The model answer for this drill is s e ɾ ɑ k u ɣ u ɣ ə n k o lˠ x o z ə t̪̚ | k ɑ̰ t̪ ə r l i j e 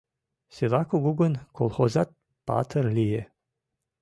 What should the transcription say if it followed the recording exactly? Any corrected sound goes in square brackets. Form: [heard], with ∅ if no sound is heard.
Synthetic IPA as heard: s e [l] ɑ k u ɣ u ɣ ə n k o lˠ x o z [ɑ] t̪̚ | [p] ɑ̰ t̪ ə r l i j e